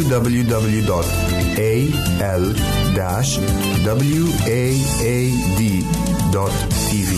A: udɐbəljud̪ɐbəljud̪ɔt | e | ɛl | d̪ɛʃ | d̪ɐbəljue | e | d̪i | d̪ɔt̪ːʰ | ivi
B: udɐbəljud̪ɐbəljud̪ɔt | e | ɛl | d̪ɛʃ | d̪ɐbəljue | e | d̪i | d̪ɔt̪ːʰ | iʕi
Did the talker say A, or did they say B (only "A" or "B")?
A